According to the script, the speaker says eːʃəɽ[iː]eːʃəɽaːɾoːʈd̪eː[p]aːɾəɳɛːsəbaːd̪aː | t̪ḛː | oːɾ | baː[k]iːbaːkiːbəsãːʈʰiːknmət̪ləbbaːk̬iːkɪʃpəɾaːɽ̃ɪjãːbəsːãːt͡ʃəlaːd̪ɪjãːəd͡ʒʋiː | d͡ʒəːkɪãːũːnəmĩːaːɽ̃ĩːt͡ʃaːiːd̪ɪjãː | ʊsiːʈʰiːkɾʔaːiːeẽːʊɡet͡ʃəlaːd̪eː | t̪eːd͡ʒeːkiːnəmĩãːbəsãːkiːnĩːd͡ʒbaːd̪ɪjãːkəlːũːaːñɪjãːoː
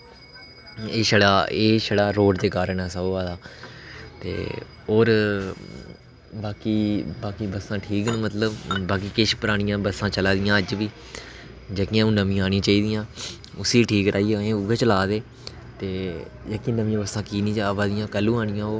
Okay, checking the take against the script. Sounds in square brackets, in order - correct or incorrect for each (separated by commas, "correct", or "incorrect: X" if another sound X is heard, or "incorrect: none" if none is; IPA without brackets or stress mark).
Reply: incorrect: aː, incorrect: k, correct